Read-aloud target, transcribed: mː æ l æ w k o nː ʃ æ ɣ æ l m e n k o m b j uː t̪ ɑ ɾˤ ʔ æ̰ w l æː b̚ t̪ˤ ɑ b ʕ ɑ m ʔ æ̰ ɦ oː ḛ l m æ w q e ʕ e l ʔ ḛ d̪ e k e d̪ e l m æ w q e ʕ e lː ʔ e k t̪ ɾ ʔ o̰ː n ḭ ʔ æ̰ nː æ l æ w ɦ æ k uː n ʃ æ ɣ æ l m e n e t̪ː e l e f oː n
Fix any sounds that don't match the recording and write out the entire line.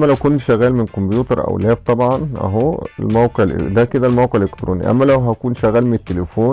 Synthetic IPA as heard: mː æ l æ w k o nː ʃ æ ɣ æː l m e n k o m b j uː t̪ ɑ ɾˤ ʔ æ̰ w l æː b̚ t̪ˤ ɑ b ʕ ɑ n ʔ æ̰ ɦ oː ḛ l m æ w q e ʕ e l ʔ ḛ d̪ æ k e d̪ æ l m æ w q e ʕ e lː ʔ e k t̪ ɾ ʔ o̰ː n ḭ ʔ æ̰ mː æ l æ w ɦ æ k uː n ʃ æ ɣ æː l m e n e t̪ː e l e f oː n